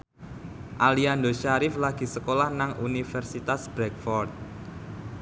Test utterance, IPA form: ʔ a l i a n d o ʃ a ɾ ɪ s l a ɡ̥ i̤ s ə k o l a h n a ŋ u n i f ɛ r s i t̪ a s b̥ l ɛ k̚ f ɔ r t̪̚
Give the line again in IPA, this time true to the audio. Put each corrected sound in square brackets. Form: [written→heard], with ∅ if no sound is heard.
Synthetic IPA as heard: ʔ a l i a n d o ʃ a ɾ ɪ [s→f] l a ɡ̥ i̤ s ə k o l a h n a ŋ u n i f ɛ r s i t̪ a s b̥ [l→ɾ] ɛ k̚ f ɔ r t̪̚